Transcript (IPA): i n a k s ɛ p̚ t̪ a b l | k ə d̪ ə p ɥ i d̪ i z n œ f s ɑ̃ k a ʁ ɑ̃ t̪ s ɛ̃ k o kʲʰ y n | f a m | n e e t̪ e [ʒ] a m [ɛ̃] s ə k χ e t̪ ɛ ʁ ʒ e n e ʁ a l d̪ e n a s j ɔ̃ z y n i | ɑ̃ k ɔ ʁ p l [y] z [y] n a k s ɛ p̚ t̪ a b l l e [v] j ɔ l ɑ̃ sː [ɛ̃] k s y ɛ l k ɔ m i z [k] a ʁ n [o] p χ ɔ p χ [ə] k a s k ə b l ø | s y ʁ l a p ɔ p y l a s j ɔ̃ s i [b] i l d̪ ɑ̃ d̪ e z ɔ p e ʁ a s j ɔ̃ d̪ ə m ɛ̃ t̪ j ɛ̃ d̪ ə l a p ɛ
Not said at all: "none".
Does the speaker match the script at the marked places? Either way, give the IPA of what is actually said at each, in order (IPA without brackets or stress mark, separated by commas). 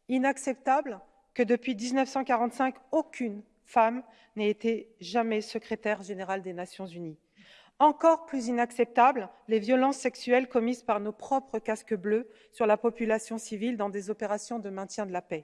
ʒ, ɛ, y, i, v, ɛ, p, o, ə, v